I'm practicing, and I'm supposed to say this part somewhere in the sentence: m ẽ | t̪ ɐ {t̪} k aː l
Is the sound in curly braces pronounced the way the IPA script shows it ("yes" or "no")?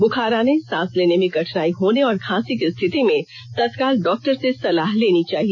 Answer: yes